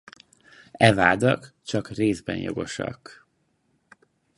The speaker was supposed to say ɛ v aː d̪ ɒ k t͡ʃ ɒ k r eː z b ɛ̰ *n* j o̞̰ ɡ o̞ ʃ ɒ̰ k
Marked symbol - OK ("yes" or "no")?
yes